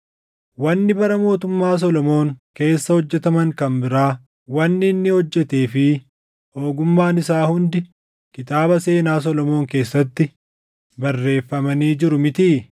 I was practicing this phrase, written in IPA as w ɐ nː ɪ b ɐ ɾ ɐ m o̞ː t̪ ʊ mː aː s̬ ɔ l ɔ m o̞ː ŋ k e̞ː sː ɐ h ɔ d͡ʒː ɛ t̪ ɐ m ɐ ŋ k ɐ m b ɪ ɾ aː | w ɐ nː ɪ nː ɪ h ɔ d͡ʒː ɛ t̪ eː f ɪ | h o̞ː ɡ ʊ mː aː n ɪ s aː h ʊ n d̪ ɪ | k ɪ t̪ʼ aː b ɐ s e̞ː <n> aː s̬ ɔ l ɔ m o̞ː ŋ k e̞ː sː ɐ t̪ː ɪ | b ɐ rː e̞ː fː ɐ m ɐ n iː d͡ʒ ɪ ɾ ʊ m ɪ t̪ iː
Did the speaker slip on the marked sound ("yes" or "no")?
no